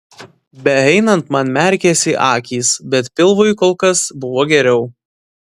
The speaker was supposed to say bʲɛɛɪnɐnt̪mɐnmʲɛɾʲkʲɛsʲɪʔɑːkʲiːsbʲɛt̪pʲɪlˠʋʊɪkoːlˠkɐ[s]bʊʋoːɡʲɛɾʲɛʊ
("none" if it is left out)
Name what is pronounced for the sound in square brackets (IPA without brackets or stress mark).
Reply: s